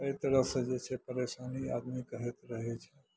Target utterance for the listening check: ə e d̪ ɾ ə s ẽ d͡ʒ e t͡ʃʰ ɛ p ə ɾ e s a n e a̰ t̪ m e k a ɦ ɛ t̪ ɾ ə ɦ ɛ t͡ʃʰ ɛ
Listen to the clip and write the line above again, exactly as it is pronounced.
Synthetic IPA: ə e t̪ ɾ ə s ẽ d͡ʒ e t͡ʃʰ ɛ p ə ɾ e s a n i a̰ d̪ m i k ə ɦ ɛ t̪ ɾ ə ɦ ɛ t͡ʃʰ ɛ